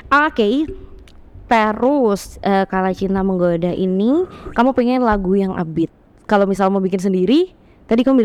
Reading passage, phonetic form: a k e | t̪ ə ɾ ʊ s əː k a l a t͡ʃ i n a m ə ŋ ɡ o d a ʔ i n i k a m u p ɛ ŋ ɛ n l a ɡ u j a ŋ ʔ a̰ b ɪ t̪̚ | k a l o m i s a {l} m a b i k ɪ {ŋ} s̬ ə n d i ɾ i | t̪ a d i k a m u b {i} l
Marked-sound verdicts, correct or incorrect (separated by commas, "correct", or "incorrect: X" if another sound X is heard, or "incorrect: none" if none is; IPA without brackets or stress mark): correct, incorrect: n, correct